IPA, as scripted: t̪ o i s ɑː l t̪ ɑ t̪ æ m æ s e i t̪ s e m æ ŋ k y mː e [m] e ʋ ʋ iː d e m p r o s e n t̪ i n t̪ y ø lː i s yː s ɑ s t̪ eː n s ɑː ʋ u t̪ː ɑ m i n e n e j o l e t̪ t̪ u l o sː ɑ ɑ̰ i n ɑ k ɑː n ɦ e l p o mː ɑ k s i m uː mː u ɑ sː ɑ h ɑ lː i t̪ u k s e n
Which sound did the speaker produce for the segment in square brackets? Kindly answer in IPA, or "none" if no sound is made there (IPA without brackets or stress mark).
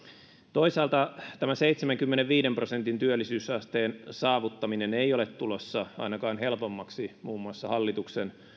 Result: n